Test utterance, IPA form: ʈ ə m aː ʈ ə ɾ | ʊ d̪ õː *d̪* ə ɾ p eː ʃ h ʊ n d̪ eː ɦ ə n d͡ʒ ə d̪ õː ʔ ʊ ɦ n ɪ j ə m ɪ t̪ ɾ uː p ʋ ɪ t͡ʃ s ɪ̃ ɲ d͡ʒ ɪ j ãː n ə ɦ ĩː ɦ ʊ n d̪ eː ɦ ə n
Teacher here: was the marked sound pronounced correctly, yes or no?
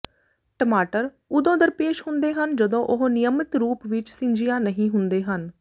yes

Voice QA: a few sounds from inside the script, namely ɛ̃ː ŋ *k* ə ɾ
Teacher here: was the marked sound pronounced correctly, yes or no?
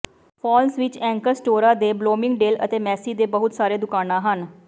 yes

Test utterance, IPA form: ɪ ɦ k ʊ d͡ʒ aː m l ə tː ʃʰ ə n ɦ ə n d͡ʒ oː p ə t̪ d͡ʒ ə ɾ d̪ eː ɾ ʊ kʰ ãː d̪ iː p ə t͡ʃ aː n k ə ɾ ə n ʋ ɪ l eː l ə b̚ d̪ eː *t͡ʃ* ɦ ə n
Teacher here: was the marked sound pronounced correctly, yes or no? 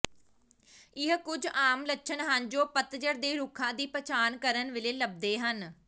no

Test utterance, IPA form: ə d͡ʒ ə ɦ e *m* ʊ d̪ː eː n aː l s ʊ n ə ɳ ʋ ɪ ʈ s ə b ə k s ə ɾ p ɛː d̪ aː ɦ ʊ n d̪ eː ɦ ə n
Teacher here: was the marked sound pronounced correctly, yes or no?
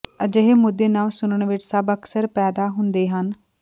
yes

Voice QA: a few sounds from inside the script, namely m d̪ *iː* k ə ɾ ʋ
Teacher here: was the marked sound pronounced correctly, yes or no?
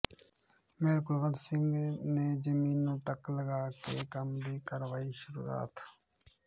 yes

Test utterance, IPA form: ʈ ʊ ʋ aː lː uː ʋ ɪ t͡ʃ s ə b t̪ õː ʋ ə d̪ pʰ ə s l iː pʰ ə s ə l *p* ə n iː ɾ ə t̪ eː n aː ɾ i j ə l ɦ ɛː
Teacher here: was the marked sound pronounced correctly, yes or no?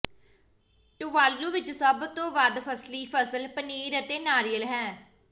yes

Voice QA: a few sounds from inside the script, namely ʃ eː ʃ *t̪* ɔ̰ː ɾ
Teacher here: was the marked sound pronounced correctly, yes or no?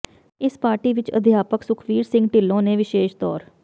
yes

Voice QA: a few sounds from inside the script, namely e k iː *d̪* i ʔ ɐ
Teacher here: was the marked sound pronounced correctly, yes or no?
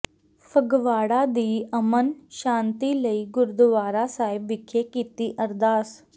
no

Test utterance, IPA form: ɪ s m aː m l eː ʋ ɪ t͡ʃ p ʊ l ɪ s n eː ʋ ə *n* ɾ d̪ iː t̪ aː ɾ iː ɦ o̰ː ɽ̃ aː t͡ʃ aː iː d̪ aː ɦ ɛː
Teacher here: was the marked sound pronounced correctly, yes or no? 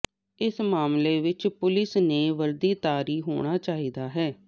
no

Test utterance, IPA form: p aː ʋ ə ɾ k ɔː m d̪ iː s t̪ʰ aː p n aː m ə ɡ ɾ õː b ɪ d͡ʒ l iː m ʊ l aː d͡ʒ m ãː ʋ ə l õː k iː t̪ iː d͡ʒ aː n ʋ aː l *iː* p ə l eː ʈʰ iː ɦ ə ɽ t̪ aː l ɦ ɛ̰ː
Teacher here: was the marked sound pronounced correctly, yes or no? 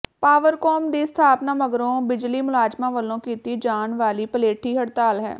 yes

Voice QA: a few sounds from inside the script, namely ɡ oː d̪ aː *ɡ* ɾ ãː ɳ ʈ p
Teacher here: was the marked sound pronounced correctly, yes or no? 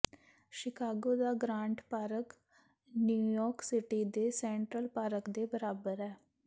yes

